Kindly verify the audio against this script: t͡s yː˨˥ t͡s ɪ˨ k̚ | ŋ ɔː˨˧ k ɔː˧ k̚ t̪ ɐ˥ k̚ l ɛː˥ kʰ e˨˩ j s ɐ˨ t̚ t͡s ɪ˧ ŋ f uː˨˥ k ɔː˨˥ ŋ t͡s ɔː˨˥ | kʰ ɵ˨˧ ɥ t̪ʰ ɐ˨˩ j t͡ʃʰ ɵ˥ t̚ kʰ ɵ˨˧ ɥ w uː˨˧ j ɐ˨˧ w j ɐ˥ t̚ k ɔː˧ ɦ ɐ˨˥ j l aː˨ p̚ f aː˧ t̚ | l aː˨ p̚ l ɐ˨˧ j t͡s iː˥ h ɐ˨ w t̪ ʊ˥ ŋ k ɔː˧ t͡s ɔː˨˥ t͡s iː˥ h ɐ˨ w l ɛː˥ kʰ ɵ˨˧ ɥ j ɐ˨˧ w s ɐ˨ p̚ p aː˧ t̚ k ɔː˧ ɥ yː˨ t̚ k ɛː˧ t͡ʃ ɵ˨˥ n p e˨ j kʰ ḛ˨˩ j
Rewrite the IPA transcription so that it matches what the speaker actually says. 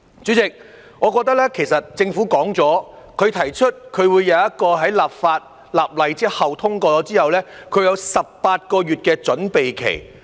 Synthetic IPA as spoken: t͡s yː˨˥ t͡s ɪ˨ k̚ | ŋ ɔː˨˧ k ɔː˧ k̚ t̪ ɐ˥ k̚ l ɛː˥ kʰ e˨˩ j s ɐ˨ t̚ t͡s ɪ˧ ŋ f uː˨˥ k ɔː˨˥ ŋ t͡s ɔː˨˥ | kʰ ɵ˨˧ ɥ t̪ʰ ɐ˨˩ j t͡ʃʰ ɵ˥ t̚ kʰ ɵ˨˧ ɥ w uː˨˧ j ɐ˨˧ w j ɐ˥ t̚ k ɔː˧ ɦ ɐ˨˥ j l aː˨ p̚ f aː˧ t̚ | l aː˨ p̚ l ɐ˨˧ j t͡s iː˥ h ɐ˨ w t̪ʰ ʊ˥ ŋ k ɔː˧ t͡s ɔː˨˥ t͡s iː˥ h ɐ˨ w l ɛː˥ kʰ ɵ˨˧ ɥ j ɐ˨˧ w s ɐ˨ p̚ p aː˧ t̚ k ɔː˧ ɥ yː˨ t̚ k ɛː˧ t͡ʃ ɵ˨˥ n p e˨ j kʰ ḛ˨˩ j

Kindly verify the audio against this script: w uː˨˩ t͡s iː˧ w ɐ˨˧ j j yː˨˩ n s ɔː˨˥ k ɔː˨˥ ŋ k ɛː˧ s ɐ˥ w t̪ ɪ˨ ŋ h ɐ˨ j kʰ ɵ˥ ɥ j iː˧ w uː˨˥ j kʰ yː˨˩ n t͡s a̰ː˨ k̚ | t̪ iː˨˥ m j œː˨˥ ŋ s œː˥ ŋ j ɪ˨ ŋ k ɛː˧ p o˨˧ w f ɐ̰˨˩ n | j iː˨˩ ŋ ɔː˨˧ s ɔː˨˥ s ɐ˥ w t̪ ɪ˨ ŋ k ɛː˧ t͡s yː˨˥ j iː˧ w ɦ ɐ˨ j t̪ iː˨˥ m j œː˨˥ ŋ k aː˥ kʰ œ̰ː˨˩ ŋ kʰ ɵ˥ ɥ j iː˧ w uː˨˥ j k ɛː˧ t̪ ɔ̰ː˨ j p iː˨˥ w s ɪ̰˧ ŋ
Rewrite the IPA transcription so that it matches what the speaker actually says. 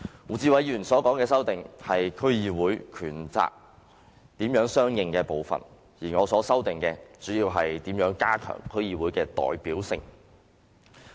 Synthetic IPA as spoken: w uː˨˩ t͡s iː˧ w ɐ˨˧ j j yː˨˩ n s ɔː˨˥ k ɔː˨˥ ŋ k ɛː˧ s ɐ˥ w t̪ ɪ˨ ŋ h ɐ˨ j kʰ ɵ˥ ɥ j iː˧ w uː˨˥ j kʰ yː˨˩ n t͡s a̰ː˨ k̚ | t̪ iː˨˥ m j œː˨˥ ŋ s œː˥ ŋ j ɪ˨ ŋ k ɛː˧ p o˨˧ w f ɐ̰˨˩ n | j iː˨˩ ŋ ɔː˨˧ s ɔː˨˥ s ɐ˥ w t̪ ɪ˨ ŋ k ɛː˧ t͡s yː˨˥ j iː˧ w ɦ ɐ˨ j t̪ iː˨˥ m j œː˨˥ ŋ k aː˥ kʰ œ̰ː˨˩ ŋ kʰ ɵ˥ ɥ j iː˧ w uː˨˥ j k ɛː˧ t̪ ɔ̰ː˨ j p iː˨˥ w s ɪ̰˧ ŋ

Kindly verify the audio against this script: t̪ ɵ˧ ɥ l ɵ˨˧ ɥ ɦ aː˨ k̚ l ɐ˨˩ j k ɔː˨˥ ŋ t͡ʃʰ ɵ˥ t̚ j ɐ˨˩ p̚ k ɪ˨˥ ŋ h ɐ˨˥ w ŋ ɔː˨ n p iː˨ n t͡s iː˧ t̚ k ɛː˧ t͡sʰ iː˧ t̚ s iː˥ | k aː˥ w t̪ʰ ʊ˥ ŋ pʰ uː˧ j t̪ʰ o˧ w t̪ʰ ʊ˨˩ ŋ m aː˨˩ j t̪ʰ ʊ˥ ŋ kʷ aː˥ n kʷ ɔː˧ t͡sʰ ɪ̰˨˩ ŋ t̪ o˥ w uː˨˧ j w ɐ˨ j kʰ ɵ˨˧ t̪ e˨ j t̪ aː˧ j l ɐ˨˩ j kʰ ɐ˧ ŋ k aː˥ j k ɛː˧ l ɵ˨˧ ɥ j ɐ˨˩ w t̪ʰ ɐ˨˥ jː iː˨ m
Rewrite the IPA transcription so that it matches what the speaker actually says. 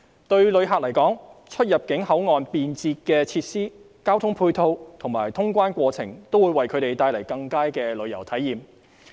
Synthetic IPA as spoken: t̪ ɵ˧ ɥ l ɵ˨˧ ɥ ɦ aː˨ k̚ l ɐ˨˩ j k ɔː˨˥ ŋ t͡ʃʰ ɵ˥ t̚ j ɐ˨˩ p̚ k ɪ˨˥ ŋ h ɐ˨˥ w ŋ ɔː˨ n p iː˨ n t͡s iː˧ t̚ k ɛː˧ t͡sʰ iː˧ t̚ s iː˥ | k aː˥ w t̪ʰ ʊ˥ ŋ pʰ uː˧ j t̪ʰ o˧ w t̪ʰ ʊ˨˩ ŋ m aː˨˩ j t̪ʰ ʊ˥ ŋ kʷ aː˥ n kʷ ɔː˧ t͡sʰ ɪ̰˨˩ ŋ t̪ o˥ w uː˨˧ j w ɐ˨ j kʰ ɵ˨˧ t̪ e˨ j t̪ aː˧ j l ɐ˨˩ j k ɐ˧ ŋ k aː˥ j k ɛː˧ l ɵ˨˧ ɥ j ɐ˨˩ w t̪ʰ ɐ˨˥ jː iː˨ m

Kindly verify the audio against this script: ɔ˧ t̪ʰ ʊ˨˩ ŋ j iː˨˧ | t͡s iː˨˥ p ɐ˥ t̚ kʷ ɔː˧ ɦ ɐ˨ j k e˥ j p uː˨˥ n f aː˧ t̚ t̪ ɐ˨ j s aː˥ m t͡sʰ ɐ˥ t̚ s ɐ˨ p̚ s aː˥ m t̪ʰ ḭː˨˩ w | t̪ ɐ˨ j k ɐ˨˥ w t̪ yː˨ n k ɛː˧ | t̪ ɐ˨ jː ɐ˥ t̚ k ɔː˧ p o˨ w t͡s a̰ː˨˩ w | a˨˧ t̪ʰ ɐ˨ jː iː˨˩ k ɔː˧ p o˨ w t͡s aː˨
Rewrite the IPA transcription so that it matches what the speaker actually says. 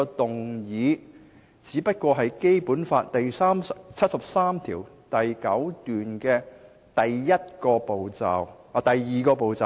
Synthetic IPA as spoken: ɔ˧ t̪ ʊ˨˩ ŋ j iː˨˧ | t͡s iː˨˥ p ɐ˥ t̚ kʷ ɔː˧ ɦ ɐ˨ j k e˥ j p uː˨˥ n f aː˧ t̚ t̪ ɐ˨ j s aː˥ m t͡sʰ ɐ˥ t̚ s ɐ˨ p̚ s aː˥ m t̪ʰ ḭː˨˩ w | t̪ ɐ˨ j k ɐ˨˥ w t̪ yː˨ n k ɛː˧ | t̪ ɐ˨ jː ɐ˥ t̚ k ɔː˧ p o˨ w t͡s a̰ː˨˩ w | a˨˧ t̪ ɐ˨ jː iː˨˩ k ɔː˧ p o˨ w t͡s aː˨

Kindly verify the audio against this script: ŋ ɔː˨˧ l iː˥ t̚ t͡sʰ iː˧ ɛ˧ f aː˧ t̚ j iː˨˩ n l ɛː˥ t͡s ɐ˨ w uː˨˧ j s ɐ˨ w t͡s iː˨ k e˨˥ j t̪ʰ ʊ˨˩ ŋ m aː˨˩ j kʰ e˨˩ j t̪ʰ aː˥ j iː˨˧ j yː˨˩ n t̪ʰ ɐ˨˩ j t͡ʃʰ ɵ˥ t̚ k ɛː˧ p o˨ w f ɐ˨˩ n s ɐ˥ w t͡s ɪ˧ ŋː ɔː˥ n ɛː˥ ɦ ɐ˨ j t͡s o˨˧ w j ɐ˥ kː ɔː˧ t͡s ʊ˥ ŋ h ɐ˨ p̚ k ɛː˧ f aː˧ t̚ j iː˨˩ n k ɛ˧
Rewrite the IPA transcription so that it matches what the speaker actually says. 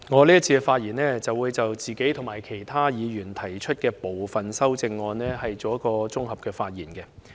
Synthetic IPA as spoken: ŋ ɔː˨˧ l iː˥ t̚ t͡sʰ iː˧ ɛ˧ f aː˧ t̚ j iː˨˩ n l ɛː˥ t͡s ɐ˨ w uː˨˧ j t͡s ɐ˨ w t͡s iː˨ k e˨˥ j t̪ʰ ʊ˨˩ ŋ m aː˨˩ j kʰ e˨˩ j t̪ʰ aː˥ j iː˨˧ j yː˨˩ n t̪ʰ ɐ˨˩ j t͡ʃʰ ɵ˥ t̚ k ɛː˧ p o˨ w f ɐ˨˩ n s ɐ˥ w t͡s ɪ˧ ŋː ɔː˧ n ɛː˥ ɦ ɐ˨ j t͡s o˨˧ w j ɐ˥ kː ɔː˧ t͡s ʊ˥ ŋ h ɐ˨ p̚ k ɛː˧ f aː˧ t̚ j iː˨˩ n k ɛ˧

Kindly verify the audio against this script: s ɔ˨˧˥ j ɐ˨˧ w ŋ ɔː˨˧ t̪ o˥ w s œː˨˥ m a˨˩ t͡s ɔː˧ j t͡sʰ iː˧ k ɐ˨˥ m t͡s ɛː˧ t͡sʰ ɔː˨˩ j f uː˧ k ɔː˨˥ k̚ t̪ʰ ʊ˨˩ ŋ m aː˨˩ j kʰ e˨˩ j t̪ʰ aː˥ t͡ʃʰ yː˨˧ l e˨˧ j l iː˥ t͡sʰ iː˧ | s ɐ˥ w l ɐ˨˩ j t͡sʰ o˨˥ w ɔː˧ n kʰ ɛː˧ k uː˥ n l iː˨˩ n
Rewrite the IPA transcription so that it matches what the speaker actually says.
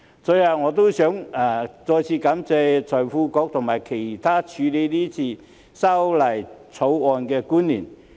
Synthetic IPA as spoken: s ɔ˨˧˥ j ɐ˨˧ w ŋ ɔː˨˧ t̪ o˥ w s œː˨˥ ŋ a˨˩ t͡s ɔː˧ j t͡sʰ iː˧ k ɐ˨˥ m t͡s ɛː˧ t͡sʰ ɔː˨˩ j f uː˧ k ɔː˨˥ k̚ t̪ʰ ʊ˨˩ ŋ m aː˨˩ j kʰ e˨˩ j t̪ʰ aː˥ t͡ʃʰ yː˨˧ l e˨˧ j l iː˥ t͡sʰ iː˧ | s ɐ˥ w l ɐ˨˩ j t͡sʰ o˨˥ w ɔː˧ n k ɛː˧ k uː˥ n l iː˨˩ n

